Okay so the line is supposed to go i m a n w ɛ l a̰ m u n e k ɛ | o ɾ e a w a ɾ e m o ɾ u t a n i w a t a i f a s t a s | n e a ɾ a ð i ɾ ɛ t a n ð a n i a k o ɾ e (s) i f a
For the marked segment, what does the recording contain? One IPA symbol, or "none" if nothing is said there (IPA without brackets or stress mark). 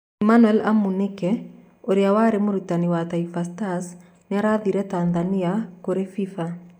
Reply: f